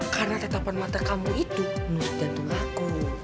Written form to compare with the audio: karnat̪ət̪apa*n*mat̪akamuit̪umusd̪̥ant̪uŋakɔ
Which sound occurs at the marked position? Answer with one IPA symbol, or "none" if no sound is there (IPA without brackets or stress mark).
n